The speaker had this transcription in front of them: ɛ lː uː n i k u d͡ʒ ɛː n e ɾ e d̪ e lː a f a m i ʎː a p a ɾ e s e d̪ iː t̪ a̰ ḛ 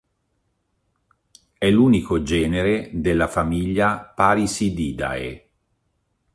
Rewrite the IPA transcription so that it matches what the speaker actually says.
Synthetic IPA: ɛ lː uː n i k o d͡ʒ ɛː n e ɾ e d̪ e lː a f a m i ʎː a p a ɾ i s i d̪ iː d̪ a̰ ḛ

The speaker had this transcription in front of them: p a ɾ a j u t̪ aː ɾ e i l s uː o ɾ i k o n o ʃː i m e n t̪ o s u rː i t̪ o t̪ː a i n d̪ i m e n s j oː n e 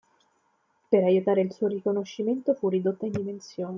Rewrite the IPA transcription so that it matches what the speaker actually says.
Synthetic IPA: p e ɾ a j u t̪ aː ɾ e i l s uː o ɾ i k o n o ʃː i m e n t̪ o f u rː i d̪ o t̪ː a i n d̪ i m e n s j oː n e

